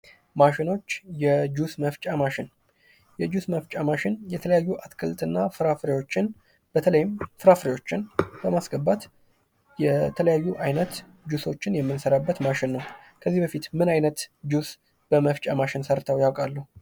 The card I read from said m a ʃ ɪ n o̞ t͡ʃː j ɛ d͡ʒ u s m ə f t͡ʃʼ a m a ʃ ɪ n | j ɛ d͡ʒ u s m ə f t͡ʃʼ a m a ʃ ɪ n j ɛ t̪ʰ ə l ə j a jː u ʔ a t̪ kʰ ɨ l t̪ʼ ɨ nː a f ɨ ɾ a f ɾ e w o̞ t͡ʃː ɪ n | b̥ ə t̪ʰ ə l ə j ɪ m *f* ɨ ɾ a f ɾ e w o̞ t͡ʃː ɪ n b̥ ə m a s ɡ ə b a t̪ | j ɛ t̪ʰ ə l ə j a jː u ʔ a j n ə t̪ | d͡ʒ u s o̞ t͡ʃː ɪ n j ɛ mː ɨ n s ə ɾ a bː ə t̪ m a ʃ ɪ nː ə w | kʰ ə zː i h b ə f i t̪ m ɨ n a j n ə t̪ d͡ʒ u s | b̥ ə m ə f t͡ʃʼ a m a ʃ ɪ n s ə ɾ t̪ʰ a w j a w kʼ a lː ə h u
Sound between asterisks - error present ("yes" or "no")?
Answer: no